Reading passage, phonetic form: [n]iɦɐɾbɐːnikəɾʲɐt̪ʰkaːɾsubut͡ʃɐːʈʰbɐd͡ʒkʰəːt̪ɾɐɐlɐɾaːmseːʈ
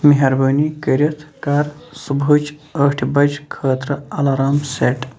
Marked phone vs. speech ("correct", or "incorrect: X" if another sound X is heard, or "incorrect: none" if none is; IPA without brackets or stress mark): incorrect: m